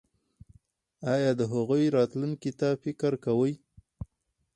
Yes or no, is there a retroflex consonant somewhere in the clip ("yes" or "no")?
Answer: no